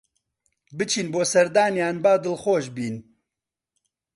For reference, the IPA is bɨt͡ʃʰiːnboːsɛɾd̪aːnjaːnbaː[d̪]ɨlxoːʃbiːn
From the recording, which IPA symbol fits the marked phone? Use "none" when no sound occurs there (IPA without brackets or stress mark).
d̪